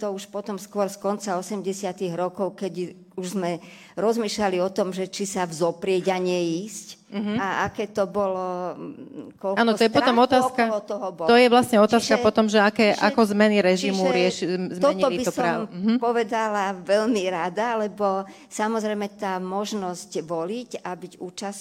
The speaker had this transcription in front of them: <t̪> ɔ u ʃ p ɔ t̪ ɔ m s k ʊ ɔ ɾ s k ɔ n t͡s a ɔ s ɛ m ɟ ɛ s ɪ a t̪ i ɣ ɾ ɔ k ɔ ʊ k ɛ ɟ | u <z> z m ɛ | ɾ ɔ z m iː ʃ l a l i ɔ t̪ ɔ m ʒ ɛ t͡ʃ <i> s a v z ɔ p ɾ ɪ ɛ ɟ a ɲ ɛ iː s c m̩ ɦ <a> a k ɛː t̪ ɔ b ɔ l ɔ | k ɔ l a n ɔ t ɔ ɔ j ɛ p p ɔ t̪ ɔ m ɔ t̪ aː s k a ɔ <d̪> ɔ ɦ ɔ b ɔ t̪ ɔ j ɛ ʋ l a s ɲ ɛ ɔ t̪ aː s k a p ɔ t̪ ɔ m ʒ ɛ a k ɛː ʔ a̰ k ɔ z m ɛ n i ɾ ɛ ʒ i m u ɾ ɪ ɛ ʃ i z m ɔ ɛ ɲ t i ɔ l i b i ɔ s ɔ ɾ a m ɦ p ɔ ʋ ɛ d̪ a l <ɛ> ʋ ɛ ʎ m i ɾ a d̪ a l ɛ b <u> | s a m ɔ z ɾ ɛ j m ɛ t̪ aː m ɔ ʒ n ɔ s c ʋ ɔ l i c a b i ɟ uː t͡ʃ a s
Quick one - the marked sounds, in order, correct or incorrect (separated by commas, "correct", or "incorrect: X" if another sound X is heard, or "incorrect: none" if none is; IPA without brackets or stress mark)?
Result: correct, incorrect: ʒ, correct, correct, incorrect: t̪, incorrect: a, incorrect: ɔ